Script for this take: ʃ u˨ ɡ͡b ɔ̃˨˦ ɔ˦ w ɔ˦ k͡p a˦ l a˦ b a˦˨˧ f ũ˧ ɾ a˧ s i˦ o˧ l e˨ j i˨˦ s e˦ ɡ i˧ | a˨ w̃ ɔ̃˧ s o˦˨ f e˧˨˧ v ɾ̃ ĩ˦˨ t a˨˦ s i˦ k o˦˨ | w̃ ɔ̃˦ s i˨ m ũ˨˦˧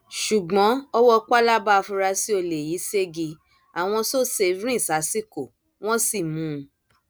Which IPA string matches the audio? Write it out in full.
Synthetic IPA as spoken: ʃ u˨ ɡ͡b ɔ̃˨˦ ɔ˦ w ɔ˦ k͡p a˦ l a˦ b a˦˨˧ f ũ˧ ɾ a˧ s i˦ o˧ l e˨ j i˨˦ s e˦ ɡ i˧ | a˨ w̃ ɔ̃˧ s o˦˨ s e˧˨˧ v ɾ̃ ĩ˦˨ s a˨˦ s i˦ k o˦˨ | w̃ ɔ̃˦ s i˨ m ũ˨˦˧

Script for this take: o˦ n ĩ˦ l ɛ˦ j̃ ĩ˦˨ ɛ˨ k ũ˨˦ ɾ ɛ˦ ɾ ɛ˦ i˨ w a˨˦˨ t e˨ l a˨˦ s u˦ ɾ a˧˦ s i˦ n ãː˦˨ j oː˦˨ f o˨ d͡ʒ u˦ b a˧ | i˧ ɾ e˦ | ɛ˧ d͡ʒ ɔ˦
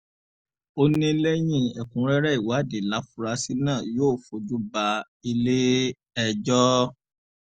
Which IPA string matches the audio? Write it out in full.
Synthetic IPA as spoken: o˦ n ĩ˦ l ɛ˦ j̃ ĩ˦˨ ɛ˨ k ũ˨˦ ɾ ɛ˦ ɾ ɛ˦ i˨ w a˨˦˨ d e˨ l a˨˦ f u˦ ɾ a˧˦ s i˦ n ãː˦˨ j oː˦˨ f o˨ d͡ʒ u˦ b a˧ | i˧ l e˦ | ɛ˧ d͡ʒ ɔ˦

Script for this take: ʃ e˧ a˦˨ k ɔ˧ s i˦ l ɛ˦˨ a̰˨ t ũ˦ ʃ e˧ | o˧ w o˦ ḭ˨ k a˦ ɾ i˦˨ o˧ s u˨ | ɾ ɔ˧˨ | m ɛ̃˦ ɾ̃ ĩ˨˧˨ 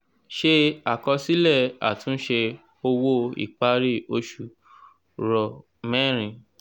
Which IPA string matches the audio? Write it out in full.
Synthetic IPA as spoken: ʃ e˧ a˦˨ k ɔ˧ s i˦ l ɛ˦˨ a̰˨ t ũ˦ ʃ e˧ | o˧ w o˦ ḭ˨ k͡p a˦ ɾ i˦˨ o˧ ʃ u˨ | ɾ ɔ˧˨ | m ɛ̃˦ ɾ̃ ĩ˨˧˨

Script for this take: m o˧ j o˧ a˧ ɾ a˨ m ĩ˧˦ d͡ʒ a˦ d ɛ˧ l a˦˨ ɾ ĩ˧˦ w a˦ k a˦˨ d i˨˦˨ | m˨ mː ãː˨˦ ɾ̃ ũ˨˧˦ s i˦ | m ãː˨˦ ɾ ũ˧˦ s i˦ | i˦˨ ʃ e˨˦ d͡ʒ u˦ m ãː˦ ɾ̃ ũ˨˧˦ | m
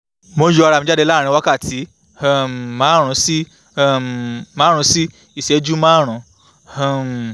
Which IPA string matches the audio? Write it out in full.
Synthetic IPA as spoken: m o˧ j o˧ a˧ ɾ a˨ m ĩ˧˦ d͡ʒ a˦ d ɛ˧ l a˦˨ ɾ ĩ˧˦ w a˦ k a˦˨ t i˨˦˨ | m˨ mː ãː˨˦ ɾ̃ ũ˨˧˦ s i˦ | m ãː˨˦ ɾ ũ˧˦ s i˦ | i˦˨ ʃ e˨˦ d͡ʒ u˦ m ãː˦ ɾ̃ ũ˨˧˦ | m

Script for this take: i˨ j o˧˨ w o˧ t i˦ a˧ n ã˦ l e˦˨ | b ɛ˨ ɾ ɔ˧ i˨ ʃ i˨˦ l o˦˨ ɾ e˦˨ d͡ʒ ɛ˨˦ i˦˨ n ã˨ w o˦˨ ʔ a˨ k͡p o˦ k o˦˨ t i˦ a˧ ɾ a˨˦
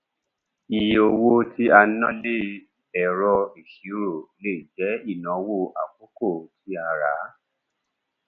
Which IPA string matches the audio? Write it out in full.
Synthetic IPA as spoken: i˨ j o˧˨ w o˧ t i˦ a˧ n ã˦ l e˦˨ | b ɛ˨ ɾ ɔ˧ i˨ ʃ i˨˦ ɾ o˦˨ l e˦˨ d͡ʒ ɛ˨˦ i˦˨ n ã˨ w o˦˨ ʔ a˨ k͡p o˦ k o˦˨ t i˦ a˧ ɾ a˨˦

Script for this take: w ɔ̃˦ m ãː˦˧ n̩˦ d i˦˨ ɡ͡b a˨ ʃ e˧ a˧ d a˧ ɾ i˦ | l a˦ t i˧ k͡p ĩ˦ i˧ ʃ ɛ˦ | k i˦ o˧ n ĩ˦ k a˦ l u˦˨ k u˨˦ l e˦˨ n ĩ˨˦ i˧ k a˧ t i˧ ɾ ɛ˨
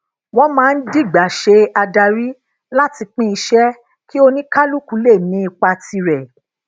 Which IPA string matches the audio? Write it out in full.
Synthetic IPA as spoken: w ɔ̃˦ m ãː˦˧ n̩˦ d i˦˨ ɡ͡b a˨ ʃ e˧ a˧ d a˧ ɾ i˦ | l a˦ t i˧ k͡p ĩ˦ i˧ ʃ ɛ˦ | k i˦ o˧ n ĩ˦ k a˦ l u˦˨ k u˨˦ l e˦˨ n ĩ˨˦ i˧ k͡p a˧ t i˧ ɾ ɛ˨

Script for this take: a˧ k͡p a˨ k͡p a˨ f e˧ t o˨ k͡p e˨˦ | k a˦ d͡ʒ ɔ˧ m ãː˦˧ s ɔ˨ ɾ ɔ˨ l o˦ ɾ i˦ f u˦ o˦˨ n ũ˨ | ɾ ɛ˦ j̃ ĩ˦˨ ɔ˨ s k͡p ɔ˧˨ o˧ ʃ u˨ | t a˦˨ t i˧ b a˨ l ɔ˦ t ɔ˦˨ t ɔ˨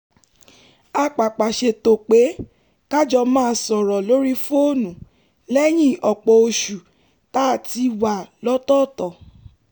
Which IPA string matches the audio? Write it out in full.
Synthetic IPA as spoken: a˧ k͡p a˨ k͡p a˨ ʃ e˧ t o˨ k͡p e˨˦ | k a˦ d͡ʒ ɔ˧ m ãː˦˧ s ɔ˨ ɾ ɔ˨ l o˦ ɾ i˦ f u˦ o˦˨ n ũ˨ | l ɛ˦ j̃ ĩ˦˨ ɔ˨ k͡p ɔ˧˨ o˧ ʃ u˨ | t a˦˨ t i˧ w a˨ l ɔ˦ t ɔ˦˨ t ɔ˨

